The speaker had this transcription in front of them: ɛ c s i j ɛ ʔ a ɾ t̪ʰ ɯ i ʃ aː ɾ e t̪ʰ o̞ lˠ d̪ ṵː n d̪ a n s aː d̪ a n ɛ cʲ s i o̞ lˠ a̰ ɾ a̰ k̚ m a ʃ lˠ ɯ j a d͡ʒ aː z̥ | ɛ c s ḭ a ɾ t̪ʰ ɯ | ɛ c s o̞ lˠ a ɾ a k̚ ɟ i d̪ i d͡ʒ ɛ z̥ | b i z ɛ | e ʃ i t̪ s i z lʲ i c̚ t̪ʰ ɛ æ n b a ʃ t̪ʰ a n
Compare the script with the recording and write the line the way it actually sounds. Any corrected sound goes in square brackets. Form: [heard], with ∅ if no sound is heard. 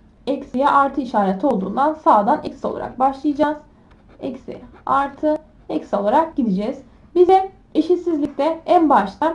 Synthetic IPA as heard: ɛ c s i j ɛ ʔ a ɾ t̪ʰ ɯ i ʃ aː ɾ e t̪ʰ o̞ lˠ d̪ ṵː n d̪ a n s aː d̪ a n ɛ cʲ s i o̞ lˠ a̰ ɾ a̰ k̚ [b] a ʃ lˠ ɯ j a d͡ʒ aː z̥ | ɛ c s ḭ a ɾ t̪ʰ ɯ | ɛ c s o̞ lˠ a ɾ a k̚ ɟ i d̪ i d͡ʒ ɛ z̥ | b i z ɛ | e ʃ i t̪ s i z lʲ i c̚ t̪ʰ ɛ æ n b a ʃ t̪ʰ a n

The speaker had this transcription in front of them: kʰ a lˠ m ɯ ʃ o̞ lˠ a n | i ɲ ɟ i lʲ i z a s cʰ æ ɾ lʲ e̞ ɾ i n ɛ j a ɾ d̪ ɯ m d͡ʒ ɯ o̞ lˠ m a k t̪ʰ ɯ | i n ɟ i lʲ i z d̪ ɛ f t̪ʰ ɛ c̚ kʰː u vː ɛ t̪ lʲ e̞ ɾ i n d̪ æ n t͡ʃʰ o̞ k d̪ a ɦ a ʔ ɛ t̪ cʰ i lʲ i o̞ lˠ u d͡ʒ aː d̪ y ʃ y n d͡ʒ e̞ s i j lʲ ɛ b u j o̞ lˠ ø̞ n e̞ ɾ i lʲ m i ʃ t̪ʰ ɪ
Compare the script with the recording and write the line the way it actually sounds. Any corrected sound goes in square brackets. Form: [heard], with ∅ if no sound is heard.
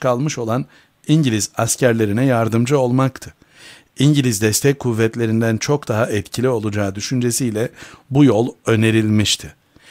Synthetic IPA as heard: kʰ a lˠ m ɯ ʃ o̞ lˠ a n | i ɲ ɟ i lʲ i z a s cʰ æ ɾ lʲ e̞ ɾ i n ɛ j a ɾ d̪ ɯ m d͡ʒ ɯ o̞ lˠ m a k t̪ʰ ɯ | i [ɲ] ɟ i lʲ i z d̪ ɛ [s] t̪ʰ ɛ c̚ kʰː u vː ɛ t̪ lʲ e̞ ɾ i n d̪ æ n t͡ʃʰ o̞ k d̪ a ɦ a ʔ ɛ t̪ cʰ i lʲ i o̞ lˠ u d͡ʒ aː d̪ y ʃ y n d͡ʒ e̞ s i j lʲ ɛ b u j o̞ lˠ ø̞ n e̞ ɾ i lʲ m i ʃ t̪ʰ ɪ

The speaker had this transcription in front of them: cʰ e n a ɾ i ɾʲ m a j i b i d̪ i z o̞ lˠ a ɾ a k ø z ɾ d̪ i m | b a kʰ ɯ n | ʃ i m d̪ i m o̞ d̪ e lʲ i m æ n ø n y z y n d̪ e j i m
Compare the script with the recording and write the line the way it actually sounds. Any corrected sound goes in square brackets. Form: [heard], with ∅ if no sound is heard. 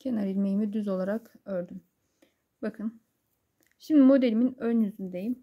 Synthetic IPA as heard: cʰ e n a ɾ i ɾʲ m [e] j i [m] i d̪ [y] z o̞ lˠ a ɾ a k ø [∅] ɾ d̪ [y] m | b a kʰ ɯ n | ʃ i m d̪ i m o̞ d̪ e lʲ i m [i] n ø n y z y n d̪ e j i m

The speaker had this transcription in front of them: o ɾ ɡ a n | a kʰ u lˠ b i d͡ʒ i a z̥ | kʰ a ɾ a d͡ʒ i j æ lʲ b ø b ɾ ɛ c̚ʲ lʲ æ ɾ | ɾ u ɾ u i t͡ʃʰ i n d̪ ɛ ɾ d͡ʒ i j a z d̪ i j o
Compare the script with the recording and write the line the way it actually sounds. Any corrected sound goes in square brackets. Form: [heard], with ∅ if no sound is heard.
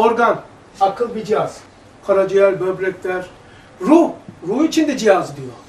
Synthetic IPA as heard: o ɾ ɡ a n | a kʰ [ɯ] lˠ b i d͡ʒ i a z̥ | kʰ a ɾ a d͡ʒ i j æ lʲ b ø b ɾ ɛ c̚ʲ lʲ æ ɾ | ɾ u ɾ u i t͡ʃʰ i n d̪ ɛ [∅] d͡ʒ i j a z d̪ i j o

